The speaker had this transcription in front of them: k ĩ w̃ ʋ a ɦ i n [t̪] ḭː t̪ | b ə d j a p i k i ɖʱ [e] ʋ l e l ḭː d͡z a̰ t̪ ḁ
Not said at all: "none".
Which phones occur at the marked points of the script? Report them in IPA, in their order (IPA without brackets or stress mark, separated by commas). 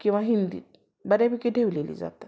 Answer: d̪, e